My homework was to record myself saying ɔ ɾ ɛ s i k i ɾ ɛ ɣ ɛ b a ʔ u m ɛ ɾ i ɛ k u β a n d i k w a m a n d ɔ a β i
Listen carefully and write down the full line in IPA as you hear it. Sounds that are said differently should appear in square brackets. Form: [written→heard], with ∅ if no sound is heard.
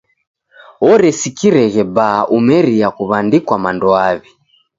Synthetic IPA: ɔ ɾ ɛ s i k i ɾ ɛ ɣ ɛ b a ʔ u m ɛ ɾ i [ɛ→a] k u β a n d i k w a m a n d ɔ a β i